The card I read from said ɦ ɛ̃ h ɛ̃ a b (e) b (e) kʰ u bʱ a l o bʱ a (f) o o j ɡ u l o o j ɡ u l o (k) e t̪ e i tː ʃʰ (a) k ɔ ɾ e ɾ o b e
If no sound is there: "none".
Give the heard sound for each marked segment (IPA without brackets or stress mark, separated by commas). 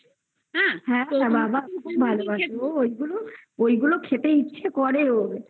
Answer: a, a, ʃ, kʰ, e